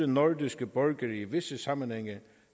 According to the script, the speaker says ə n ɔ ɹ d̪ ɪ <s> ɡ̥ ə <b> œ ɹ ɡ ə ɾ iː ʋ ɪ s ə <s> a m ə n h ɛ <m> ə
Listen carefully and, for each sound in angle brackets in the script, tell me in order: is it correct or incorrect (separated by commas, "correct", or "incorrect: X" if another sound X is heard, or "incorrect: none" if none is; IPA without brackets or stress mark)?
correct, correct, correct, incorrect: ŋ